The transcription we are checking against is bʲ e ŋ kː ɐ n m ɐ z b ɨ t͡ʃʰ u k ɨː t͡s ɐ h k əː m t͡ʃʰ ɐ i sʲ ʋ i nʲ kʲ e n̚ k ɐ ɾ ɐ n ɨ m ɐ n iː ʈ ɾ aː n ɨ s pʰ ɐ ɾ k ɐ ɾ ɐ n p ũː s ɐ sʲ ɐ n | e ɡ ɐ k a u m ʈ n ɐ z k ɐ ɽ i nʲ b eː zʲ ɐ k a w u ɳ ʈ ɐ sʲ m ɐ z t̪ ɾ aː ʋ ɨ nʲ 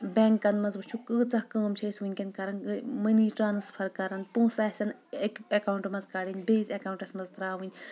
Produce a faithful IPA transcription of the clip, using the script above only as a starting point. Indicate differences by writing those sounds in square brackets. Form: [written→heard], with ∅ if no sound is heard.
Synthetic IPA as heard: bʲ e ŋ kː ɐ n m ɐ z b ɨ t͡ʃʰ u k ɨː t͡s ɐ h k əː m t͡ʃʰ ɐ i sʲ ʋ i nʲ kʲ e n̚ k ɐ ɾ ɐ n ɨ m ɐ n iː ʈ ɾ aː n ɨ s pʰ ɐ ɾ k ɐ ɾ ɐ n p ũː s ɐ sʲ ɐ n | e [ɡ→k] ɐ k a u [m→ɳ] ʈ [n→m] ɐ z k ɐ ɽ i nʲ b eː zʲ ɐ k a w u ɳ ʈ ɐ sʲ m ɐ z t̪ ɾ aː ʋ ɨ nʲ